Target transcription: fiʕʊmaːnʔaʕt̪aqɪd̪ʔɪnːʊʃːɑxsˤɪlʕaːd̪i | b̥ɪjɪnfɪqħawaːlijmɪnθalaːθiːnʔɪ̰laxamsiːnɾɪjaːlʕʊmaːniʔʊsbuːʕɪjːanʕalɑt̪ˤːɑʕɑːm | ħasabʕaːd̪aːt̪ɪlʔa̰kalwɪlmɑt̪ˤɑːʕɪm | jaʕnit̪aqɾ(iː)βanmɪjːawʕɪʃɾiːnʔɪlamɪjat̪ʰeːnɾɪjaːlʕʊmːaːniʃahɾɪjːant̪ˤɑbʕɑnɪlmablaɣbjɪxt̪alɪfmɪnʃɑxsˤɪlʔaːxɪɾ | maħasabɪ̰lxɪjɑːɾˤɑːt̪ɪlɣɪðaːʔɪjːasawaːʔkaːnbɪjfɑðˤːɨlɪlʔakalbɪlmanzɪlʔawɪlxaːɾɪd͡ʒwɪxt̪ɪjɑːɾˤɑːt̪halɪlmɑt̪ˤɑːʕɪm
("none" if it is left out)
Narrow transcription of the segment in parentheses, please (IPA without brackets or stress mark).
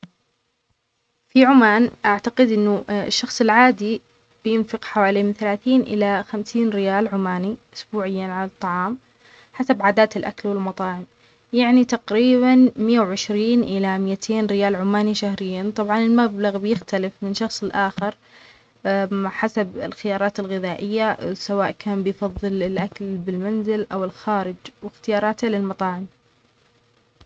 iː